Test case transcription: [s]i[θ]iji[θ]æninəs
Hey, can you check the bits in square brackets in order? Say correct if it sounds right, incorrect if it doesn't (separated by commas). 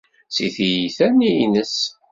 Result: correct, correct, correct